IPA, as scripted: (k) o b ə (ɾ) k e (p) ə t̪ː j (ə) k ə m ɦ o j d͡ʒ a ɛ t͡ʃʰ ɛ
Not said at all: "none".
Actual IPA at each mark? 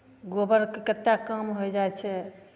ɡ, ɾ, k, a

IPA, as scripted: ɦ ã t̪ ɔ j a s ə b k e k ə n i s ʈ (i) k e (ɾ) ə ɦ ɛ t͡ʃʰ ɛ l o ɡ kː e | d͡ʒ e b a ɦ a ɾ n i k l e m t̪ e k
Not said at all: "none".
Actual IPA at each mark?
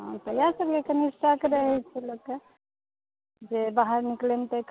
a, ɾ

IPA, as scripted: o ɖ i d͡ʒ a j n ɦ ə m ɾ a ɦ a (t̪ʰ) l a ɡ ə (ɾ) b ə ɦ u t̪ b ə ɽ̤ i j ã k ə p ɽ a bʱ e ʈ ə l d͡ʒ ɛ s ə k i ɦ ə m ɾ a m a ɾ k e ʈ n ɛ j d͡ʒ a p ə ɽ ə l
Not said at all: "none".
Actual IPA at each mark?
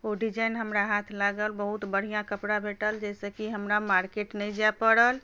t̪ʰ, l

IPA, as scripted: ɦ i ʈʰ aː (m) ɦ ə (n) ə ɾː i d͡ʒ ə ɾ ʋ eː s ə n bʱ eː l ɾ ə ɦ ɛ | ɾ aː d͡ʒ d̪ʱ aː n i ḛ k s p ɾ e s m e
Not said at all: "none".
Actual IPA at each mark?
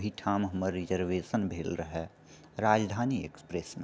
m, m

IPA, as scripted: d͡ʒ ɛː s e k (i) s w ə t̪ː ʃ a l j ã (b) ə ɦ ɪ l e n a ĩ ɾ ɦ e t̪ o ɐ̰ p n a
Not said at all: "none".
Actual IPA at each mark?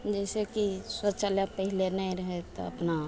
i, p

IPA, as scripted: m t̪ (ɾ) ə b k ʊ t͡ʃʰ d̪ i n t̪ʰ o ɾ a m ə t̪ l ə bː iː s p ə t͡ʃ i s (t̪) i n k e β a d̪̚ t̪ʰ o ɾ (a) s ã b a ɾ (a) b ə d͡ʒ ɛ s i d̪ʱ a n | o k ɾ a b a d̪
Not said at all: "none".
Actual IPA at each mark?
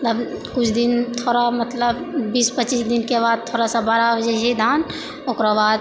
l, d̪, a, a

